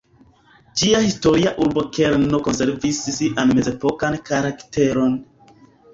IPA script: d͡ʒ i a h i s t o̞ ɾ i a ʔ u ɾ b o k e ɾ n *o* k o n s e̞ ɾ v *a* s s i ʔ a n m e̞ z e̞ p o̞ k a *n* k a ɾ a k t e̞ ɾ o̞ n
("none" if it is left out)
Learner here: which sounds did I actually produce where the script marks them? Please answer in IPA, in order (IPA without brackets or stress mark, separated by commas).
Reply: o, i, n